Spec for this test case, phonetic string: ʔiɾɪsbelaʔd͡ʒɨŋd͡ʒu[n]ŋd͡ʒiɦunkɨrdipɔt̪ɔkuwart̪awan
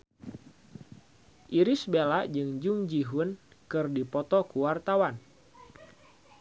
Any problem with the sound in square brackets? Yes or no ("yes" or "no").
yes